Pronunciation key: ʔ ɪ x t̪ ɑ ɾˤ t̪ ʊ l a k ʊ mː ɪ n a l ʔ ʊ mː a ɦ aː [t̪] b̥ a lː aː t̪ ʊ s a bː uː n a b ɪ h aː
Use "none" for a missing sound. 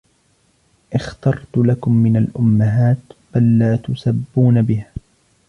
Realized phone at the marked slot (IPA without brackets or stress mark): t̪